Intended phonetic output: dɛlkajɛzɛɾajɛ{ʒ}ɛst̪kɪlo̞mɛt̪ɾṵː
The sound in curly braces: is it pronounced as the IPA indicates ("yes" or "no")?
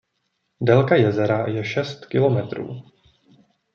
no